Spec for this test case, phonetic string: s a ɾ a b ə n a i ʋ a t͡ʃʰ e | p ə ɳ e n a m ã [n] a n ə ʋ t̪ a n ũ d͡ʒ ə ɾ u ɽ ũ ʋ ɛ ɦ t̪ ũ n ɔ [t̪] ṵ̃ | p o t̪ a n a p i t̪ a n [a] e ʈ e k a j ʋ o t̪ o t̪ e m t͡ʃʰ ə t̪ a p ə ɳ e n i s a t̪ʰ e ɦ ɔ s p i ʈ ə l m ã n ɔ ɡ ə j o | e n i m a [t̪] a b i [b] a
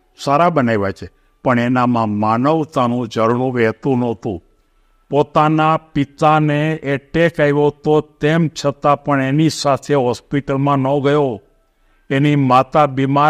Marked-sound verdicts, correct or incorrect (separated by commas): incorrect, correct, incorrect, correct, incorrect